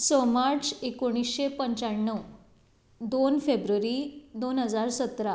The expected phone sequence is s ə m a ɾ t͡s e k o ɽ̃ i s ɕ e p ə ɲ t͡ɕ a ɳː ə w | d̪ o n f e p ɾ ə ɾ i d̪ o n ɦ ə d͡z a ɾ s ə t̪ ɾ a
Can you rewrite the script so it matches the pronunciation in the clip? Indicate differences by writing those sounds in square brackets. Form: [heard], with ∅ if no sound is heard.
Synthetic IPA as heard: s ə m a ɾ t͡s e k o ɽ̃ i s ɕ e p ə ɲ t͡ɕ a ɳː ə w | d̪ o n f e [b] ɾ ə ɾ i d̪ o n ɦ ə d͡z a ɾ s ə t̪ ɾ a